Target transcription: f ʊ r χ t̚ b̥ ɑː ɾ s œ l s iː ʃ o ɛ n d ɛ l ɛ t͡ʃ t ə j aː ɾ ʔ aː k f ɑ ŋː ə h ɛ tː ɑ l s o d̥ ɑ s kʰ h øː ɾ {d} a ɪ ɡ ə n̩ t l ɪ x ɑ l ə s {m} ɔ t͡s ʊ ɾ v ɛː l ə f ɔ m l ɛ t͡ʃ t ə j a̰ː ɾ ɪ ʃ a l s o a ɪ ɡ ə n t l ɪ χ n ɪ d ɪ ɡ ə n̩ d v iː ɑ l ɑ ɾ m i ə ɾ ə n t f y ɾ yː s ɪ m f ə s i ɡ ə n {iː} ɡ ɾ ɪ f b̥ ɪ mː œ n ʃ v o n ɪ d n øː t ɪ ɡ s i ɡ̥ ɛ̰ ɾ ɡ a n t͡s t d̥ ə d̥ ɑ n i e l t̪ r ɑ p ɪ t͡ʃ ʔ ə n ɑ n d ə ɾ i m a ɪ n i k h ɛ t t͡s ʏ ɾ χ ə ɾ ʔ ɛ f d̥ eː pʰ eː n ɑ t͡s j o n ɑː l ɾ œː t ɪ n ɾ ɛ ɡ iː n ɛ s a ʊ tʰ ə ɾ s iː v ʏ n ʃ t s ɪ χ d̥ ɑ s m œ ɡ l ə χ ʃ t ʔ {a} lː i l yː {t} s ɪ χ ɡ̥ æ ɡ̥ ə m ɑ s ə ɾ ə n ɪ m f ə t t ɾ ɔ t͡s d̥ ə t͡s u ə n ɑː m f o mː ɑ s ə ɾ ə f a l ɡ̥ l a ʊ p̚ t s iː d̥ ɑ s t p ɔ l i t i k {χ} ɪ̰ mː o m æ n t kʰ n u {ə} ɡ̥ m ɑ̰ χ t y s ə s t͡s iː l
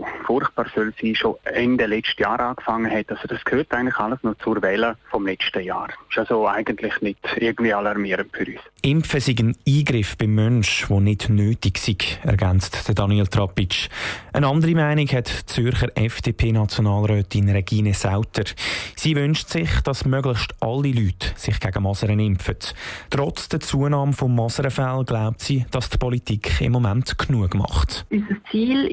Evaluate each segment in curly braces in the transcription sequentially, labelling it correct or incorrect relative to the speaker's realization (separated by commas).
incorrect, incorrect, correct, incorrect, correct, correct, correct